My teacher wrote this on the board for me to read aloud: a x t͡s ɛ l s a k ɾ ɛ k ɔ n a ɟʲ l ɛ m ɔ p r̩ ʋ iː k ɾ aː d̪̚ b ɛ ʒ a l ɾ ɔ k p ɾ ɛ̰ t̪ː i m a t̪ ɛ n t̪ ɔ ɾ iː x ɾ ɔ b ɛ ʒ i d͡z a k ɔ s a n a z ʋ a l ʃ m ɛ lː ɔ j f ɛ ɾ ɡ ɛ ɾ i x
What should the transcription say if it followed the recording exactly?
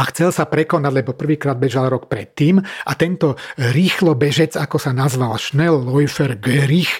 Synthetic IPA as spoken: a x t͡s ɛ l s a p ɾ ɛ k ɔ n a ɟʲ l ɛ b ɔ p r̩ ʋ iː k ɾ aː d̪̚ b ɛ ʒ a l ɾ ɔ k p ɾ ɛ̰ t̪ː iː m a t̪ ɛ n t̪ ɔ ɾ iː x l ɔ b ɛ ʒ ɛ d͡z a k ɔ s a n a z ʋ a l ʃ n ɛ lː ɔ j f ɛ ɾ ɡ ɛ ɾ i x